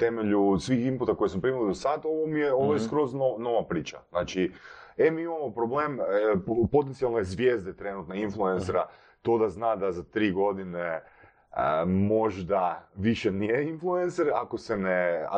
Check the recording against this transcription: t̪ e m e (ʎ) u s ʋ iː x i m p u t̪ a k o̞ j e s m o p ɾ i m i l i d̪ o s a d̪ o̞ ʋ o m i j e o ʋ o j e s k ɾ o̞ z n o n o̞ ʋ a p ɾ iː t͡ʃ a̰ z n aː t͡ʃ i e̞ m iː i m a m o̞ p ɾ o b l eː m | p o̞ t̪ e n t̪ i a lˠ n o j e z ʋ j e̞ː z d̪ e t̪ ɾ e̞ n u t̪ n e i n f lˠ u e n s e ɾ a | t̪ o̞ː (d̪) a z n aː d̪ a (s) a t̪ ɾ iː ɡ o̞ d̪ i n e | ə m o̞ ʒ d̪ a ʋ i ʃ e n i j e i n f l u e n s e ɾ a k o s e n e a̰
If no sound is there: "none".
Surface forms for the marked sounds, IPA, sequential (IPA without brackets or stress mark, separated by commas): ʎ, d̪, z